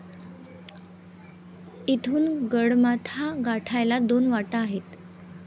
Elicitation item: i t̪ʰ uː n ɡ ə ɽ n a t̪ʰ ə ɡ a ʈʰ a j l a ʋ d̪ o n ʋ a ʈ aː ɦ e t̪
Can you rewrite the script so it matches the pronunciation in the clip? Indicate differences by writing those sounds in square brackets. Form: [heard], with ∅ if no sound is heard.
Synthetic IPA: i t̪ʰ uː n ɡ ə ɽ [m] a t̪ʰ [a] ɡ a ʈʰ a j l a [∅] d̪ o n ʋ a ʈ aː ɦ e t̪